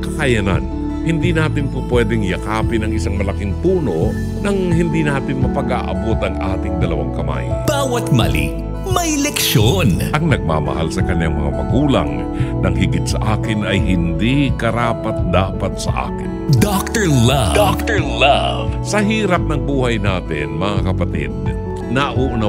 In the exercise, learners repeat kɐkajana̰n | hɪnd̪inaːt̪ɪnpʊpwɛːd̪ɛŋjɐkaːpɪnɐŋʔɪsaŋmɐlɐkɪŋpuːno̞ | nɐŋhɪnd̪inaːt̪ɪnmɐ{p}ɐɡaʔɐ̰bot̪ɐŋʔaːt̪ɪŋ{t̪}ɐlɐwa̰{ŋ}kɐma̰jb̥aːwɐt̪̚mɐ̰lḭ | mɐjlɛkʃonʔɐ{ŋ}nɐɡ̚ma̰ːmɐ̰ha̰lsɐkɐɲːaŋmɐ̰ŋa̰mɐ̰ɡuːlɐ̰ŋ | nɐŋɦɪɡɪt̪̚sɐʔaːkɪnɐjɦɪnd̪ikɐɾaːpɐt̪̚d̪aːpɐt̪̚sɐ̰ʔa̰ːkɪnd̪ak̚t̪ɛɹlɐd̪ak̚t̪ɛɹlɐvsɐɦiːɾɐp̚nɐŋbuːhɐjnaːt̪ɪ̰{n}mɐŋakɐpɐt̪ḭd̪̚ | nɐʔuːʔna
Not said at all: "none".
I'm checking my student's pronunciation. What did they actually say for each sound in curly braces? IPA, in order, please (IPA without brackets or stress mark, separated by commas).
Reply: p, d̪, ŋ, ŋ, n